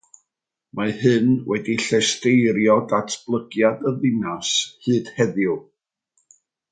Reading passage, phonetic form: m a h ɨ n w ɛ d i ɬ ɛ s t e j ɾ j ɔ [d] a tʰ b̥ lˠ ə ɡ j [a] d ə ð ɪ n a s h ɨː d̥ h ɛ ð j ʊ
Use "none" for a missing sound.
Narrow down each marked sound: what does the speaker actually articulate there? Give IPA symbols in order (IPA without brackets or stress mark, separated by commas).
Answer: d, a